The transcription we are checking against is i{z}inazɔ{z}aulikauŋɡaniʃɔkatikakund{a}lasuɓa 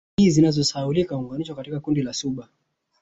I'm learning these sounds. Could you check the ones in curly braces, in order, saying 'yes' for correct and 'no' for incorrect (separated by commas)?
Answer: yes, no, no